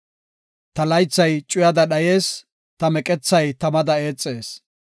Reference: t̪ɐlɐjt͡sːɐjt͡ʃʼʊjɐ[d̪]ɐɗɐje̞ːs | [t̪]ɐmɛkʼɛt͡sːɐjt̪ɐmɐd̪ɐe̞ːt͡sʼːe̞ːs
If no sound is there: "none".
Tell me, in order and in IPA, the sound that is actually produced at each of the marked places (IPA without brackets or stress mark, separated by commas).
d̪, t̪